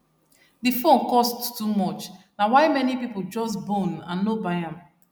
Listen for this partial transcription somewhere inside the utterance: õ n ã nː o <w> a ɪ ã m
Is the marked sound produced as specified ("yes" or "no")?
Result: no